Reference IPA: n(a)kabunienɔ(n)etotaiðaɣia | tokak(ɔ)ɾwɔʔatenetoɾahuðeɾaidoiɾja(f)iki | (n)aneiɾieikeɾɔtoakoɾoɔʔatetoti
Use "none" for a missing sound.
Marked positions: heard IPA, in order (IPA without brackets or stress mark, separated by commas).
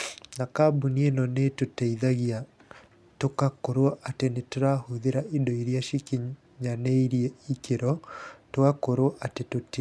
a, n, o, ʃ, ɲ